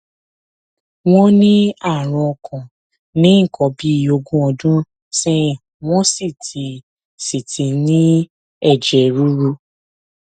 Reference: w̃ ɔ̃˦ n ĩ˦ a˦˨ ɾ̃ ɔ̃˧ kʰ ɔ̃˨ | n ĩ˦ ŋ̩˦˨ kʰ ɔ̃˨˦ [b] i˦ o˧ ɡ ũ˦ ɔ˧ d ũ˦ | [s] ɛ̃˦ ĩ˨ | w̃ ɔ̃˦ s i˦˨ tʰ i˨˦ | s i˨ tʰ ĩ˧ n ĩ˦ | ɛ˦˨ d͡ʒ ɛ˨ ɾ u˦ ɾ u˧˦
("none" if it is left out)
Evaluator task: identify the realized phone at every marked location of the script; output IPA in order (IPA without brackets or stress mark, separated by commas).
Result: b, s